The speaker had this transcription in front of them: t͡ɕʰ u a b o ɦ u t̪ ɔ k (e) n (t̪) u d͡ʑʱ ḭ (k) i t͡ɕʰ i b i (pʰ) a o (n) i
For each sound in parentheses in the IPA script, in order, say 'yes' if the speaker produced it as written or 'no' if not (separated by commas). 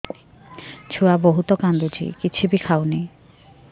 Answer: no, no, yes, no, yes